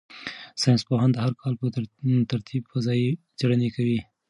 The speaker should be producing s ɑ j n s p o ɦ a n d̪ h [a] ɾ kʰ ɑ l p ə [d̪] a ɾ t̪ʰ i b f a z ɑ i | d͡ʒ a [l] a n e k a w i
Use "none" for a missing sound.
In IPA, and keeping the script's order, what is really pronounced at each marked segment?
a, t̪, ɽ

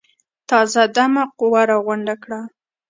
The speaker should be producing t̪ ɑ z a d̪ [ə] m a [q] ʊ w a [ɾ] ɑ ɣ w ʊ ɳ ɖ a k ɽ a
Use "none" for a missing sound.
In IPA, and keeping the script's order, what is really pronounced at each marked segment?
a, q, ɾ

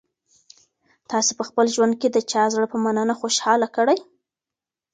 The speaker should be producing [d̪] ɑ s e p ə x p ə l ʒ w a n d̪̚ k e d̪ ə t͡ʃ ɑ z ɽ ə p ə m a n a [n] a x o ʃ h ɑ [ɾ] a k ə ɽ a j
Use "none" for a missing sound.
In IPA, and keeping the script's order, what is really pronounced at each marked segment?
t̪, n, l

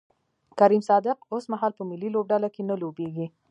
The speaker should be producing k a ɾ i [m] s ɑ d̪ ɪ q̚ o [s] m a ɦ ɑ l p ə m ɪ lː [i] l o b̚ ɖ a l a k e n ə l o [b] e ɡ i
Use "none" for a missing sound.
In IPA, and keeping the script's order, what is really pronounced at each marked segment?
m, s, i, b

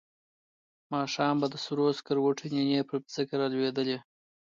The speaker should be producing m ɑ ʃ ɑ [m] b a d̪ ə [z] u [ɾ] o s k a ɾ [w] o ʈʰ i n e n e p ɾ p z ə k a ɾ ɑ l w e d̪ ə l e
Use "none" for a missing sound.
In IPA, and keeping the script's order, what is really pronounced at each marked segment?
m, s, ɾ, w

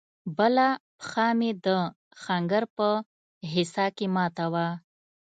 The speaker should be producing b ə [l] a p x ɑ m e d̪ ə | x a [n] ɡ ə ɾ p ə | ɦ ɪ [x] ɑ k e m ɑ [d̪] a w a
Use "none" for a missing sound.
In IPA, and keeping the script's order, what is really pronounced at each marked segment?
l, ŋ, s, t̪

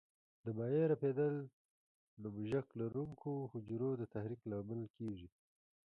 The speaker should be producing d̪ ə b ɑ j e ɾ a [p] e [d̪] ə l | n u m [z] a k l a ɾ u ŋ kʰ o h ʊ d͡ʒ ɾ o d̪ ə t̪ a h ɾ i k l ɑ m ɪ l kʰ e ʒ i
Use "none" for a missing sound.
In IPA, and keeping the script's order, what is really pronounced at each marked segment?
p, d̪, ʒ

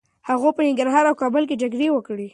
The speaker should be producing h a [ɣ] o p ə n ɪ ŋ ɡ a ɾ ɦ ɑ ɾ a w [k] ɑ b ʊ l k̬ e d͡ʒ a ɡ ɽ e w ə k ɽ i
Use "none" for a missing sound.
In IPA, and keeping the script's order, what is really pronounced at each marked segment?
ɣ, k

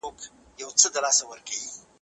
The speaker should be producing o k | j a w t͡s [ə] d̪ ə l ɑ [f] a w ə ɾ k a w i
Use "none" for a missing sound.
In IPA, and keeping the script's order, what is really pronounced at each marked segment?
ə, s

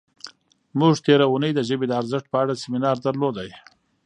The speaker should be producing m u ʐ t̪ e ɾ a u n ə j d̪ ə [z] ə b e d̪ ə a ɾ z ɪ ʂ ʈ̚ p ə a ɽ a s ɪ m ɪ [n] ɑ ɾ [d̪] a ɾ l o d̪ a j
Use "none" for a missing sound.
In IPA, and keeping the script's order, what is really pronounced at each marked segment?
ʒ, n, d̪

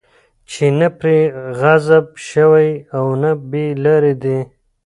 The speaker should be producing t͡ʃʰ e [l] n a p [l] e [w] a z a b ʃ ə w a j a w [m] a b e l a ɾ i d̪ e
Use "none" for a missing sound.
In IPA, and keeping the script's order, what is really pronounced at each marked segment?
none, ɾ, ɣ, n

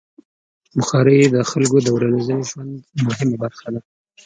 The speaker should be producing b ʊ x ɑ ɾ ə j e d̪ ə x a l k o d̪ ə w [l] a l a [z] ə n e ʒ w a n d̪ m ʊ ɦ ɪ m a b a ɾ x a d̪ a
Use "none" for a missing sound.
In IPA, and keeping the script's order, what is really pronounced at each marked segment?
ɾ, z

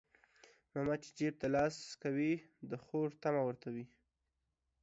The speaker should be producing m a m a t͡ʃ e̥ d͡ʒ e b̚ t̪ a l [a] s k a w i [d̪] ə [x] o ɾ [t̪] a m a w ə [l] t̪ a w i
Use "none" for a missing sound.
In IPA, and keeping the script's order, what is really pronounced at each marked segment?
ɑ, d̪, x, t̪, ɾ

